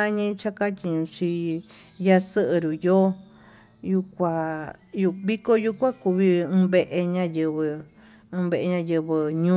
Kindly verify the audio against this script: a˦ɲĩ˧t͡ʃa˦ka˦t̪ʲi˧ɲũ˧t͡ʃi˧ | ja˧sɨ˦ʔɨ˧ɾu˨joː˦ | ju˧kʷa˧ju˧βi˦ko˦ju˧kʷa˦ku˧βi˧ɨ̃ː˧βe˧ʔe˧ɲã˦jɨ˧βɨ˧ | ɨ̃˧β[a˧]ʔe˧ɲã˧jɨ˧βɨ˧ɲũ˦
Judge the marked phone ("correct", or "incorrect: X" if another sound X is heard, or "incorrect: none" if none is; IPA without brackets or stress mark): incorrect: e˧